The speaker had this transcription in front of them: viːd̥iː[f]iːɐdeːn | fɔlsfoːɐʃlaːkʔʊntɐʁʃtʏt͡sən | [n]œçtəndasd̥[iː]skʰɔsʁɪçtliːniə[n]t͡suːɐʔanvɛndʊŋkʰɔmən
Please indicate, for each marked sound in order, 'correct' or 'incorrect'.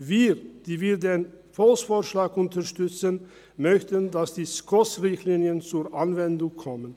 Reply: incorrect: v, incorrect: m, correct, correct

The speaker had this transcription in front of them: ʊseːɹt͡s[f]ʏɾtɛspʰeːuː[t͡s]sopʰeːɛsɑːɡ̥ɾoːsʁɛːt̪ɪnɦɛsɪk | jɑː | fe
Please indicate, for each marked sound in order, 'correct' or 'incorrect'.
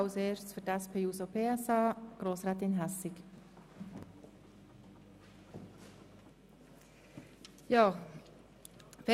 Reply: correct, incorrect: none

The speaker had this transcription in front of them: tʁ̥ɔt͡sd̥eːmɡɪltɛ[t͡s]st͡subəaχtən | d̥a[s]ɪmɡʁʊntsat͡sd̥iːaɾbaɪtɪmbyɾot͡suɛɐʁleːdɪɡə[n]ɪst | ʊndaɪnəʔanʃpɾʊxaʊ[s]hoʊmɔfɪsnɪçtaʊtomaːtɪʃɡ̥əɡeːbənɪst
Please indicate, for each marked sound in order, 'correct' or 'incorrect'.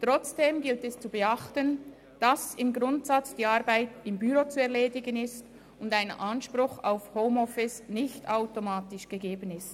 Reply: incorrect: none, correct, correct, incorrect: f

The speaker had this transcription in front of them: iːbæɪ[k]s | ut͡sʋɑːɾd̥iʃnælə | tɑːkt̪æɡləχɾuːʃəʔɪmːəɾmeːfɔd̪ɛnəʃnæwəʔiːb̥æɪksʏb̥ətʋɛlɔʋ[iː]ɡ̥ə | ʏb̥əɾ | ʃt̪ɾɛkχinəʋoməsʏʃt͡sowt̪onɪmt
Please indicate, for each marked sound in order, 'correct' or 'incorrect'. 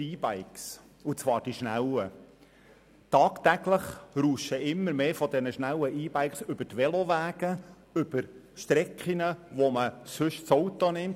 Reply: correct, incorrect: æː

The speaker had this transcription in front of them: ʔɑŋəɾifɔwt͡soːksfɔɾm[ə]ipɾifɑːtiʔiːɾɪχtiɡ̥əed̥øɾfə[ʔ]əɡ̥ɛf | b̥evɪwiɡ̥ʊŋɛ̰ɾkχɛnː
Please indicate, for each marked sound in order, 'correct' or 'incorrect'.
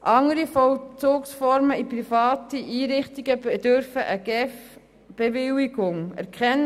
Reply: correct, correct

